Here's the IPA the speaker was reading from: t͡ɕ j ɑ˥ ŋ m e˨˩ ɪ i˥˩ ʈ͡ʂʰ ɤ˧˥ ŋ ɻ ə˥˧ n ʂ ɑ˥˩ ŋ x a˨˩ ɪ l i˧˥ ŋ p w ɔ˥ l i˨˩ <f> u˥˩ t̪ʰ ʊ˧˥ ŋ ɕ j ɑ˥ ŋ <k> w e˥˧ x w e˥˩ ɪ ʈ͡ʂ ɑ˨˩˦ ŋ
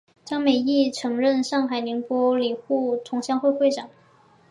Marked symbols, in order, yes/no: no, no

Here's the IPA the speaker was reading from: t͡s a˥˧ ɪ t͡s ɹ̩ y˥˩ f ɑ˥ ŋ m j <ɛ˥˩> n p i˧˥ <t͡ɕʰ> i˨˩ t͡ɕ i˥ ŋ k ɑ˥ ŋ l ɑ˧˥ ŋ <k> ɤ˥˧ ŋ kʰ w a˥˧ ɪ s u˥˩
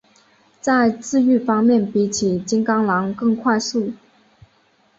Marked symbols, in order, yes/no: yes, yes, yes

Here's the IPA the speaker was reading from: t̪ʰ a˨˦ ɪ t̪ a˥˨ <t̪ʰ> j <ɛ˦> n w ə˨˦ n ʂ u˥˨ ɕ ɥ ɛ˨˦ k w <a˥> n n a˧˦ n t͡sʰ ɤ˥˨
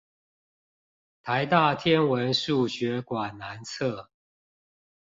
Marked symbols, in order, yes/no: yes, yes, no

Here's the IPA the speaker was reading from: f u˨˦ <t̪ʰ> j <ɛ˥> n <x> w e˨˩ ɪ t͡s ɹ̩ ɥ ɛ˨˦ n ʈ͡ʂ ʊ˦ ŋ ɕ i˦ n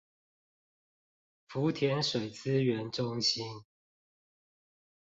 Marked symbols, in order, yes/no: yes, no, no

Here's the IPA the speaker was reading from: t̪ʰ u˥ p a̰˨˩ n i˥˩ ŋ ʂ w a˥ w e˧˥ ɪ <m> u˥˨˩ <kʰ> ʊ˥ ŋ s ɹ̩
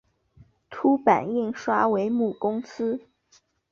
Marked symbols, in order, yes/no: yes, no

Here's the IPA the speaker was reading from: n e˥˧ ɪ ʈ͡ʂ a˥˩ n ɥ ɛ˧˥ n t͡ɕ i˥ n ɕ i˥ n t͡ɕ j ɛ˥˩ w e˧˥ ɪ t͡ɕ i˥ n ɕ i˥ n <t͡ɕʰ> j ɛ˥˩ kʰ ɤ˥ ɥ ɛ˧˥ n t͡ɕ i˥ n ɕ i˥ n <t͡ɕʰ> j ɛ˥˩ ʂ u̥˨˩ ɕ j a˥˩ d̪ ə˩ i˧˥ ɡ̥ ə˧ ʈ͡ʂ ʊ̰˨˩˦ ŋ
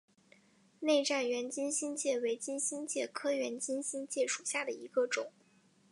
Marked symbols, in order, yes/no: no, no

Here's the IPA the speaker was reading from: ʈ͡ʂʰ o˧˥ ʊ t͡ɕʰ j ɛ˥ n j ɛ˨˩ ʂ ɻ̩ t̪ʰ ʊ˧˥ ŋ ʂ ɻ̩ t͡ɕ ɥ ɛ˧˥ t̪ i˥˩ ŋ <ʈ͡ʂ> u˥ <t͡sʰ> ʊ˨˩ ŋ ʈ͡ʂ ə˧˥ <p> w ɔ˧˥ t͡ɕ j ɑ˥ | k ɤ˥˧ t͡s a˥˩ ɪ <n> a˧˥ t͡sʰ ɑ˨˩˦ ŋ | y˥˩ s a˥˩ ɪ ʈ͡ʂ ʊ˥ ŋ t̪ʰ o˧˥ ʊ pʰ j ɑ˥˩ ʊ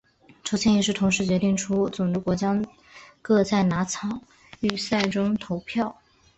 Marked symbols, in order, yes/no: no, no, no, yes

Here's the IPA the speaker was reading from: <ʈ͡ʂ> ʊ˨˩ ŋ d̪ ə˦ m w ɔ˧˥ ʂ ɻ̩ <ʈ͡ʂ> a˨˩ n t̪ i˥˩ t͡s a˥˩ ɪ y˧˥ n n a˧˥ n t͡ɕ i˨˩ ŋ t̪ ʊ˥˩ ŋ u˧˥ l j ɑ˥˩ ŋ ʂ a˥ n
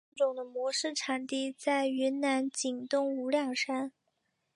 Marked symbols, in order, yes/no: yes, no

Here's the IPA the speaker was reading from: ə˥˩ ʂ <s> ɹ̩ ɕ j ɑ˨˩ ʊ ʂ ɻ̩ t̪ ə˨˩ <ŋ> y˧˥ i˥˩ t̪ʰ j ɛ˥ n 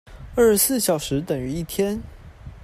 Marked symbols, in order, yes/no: yes, yes

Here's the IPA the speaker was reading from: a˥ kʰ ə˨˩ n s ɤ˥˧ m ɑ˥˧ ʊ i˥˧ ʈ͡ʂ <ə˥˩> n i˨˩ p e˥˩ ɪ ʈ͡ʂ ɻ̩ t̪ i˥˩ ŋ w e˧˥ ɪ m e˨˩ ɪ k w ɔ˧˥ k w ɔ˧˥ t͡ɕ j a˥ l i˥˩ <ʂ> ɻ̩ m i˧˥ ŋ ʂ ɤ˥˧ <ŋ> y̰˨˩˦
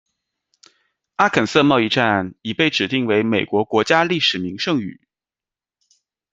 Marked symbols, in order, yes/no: no, yes, yes

